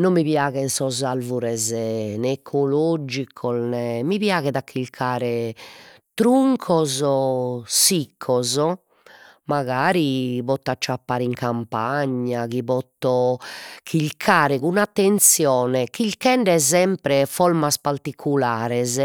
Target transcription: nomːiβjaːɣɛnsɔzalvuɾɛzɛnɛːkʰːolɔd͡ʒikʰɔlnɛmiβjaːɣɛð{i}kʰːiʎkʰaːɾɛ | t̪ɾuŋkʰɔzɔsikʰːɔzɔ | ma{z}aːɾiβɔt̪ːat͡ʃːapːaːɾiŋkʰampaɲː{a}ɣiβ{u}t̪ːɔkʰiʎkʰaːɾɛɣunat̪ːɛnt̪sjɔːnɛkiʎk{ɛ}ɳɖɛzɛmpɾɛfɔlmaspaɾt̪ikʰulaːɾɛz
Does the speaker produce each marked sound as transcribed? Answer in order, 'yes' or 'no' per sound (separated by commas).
no, no, yes, no, yes